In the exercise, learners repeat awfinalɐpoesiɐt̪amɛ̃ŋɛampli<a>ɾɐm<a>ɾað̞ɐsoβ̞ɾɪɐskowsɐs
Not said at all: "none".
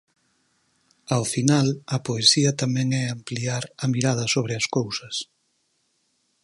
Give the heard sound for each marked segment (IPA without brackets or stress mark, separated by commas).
a, i